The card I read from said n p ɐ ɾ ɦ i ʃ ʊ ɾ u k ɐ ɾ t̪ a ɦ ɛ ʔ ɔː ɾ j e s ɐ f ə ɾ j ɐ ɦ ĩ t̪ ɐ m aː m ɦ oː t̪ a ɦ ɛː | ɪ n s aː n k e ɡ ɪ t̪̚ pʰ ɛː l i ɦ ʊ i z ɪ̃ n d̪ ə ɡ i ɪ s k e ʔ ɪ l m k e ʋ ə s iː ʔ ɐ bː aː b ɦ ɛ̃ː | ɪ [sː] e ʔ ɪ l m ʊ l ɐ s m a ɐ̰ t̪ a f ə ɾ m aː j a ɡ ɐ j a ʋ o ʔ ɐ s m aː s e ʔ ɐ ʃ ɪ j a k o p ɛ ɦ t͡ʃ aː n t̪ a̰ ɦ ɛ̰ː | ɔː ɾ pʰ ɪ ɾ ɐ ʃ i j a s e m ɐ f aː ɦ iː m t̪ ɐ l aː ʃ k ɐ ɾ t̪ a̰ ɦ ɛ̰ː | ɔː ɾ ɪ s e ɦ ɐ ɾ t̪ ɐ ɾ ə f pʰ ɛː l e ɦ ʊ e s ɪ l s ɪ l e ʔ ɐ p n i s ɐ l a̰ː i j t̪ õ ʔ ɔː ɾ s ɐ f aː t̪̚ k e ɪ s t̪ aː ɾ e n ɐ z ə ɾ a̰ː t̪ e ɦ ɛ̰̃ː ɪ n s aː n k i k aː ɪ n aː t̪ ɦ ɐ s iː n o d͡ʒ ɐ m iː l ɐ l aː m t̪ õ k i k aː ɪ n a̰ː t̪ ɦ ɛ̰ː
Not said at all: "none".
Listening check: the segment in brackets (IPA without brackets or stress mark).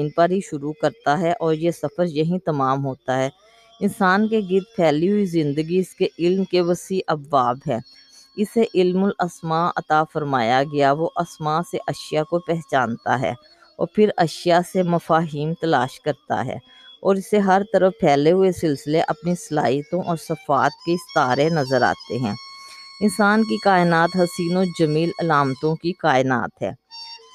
s